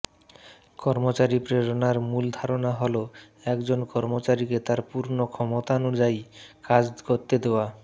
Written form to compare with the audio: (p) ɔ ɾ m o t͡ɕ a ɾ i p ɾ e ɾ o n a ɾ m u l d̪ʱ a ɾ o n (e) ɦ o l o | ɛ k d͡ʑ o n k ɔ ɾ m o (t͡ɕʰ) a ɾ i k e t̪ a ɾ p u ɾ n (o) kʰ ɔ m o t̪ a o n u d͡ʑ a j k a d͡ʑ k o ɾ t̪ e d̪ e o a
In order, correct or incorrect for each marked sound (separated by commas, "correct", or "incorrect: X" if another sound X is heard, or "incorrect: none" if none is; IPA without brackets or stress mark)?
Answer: incorrect: k, incorrect: a, incorrect: t͡ɕ, correct